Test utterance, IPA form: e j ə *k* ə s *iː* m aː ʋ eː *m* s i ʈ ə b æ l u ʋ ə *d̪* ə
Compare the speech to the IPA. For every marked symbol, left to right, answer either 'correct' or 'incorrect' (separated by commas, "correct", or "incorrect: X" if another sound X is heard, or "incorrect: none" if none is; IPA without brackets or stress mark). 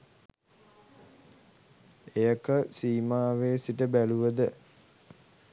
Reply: correct, correct, incorrect: none, correct